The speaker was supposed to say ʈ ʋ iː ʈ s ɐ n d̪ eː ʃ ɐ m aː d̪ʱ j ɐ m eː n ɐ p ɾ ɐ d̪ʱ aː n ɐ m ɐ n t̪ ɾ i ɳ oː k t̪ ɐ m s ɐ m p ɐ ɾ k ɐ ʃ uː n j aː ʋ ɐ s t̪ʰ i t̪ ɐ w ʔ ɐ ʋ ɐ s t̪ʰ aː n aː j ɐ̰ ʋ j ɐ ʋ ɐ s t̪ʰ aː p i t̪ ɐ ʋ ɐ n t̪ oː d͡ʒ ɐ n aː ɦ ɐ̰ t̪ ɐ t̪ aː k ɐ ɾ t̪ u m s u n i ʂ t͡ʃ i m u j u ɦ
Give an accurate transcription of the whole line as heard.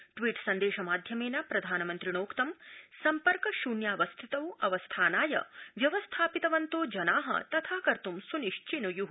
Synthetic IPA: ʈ ʋ iː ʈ s ɐ n d̪ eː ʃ ɐ m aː d̪ʱ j ɐ m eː n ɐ p ɾ ɐ d̪ʱ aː n ɐ m ɐ n t̪ ɾ i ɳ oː k t̪ ɐ m s ɐ m p ɐ ɾ k ɐ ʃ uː n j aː ʋ ɐ s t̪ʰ i t̪ ɐ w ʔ ɐ ʋ ɐ s t̪ʰ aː n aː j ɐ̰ ʋ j ɐ ʋ ɐ s t̪ʰ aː p i t̪ ɐ ʋ ɐ n t̪ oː d͡ʒ ɐ n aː ɦ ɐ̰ t̪ ɐ t̪ʰ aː k ɐ ɾ t̪ u m s u n i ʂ t͡ʃ i n u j u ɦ